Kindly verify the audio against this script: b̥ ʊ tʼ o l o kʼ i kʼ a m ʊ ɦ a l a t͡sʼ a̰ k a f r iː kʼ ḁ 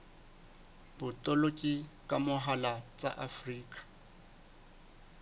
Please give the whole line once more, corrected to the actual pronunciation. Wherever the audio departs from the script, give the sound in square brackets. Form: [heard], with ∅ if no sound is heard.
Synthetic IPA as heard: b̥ ʊ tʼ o l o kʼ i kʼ a m ʊ ɦ a l a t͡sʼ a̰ [ʔ] a f r iː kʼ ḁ